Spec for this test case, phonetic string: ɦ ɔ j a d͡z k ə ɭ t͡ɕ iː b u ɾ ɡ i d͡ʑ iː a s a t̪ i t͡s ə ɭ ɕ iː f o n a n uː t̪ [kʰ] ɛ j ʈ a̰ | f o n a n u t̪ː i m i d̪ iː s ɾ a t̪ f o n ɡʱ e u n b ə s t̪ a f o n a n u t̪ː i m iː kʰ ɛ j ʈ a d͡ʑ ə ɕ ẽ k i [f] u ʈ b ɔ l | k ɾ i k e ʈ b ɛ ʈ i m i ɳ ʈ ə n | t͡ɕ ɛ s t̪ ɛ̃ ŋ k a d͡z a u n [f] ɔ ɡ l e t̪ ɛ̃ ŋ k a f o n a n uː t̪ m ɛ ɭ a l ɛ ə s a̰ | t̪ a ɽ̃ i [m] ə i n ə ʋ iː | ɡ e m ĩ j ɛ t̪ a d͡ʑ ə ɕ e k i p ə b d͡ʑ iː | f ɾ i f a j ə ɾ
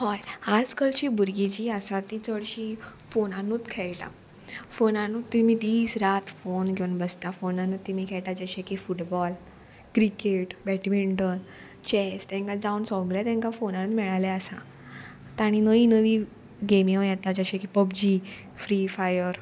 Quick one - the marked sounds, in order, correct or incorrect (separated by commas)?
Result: correct, correct, incorrect, incorrect